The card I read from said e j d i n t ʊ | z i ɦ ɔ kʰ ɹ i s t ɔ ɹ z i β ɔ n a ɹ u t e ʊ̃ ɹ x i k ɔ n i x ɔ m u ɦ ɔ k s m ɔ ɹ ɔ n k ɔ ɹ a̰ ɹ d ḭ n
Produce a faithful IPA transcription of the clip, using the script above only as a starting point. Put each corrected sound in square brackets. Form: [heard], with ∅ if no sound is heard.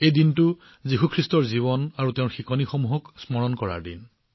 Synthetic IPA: e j d i n t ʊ | z i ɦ [u] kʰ ɹ i s t ɔ ɹ z i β ɔ n a ɹ u t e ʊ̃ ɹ x i k ɔ n i x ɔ m u ɦ ɔ k s m ɔ ɹ ɔ n k ɔ ɹ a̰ ɹ d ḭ n